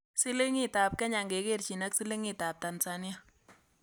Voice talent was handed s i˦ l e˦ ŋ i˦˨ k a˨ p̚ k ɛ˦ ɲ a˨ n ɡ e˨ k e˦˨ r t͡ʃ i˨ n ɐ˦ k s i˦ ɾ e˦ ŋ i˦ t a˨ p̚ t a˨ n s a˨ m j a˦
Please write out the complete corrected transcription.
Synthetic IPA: s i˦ l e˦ ŋ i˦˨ t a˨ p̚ k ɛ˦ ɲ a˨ ŋ ɡ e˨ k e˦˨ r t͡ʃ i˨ n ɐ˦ k s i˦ l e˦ ŋ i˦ t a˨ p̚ t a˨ n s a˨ n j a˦